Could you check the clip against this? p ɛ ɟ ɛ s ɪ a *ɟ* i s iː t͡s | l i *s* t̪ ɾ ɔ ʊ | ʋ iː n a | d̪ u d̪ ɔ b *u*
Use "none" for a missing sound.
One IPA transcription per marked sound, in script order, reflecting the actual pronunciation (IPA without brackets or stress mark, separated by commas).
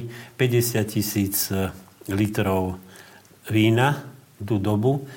c, none, u